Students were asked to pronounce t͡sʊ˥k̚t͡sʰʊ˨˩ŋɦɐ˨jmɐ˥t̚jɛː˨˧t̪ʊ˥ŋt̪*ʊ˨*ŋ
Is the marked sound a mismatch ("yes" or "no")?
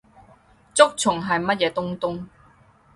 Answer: yes